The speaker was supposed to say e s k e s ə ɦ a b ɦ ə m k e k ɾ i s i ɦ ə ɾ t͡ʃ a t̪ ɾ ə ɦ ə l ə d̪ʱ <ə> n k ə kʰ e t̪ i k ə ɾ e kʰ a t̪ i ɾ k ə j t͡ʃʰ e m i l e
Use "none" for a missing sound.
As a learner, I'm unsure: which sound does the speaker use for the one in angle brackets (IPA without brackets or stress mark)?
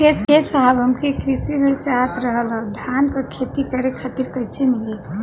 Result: a